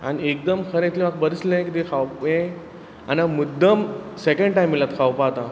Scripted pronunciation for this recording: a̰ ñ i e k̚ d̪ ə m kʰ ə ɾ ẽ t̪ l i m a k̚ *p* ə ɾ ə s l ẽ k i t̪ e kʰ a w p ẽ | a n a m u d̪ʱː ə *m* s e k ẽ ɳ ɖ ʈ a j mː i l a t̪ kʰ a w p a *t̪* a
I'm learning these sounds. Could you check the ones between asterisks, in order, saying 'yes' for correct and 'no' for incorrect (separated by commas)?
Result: no, yes, yes